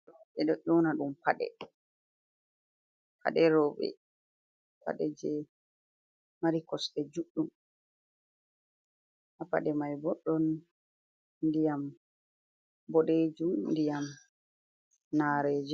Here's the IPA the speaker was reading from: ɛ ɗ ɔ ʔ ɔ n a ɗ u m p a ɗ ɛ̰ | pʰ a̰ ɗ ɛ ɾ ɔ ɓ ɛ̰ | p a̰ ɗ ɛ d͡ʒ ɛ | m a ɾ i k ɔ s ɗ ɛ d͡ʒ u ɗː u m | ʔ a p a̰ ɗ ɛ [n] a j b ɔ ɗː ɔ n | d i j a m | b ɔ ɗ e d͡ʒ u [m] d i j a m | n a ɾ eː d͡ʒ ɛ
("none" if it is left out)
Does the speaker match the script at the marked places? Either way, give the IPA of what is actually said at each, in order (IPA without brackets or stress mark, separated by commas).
m, n